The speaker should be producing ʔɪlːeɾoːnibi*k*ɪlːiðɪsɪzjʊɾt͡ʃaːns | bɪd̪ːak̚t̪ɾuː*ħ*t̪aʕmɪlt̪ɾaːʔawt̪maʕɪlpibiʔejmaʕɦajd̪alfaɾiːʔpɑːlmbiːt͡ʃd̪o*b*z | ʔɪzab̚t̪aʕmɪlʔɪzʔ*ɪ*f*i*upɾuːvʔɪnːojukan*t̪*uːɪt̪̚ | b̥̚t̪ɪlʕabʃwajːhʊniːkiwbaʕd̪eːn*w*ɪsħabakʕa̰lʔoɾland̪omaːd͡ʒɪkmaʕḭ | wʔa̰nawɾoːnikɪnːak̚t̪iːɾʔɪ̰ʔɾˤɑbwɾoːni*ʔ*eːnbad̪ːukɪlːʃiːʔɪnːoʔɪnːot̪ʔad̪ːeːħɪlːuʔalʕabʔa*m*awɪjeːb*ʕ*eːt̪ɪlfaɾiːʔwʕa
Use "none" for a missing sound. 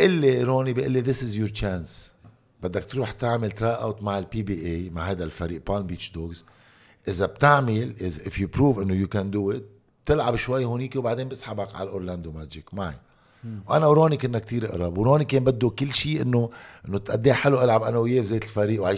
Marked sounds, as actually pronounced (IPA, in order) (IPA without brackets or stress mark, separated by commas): ʔ, ħ, ɡ, ɪ, j, d̪, b, k, n, z